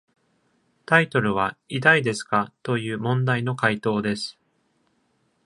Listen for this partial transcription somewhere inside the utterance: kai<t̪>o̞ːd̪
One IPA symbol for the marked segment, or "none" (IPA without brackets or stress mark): t̪